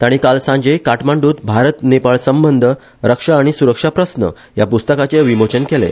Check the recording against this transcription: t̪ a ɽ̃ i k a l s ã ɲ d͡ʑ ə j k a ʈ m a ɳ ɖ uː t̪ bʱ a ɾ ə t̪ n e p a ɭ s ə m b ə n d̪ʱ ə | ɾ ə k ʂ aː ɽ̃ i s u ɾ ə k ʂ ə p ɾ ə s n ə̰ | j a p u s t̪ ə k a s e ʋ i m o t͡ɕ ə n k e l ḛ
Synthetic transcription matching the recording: t̪ a ɽ̃ i k a l s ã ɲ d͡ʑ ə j k a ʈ m a ɳ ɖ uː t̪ bʱ a ɾ ə t̪ n e p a ɭ s ə m b ə n d̪ʱ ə | ɾ ə k ʂ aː ɽ̃ i s u ɾ ə k ʂ a p ɾ ə s n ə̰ | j a p u s t̪ ə k a t͡s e ʋ i m o t͡ɕ ə n k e l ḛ